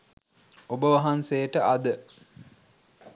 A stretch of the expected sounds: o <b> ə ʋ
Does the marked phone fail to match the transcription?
no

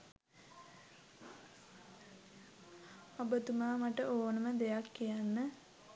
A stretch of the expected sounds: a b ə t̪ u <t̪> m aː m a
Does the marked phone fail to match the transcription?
yes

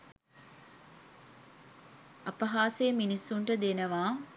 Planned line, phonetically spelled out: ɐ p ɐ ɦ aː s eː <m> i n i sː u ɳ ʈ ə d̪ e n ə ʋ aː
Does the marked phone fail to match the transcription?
no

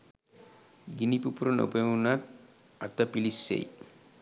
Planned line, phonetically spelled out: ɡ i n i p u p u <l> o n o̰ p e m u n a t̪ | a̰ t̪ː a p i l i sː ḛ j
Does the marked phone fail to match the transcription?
yes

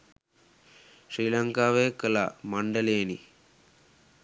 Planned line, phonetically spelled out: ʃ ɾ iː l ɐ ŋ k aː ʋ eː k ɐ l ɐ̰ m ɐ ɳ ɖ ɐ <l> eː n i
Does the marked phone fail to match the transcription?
no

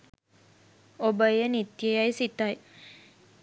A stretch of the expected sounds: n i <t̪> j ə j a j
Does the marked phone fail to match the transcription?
no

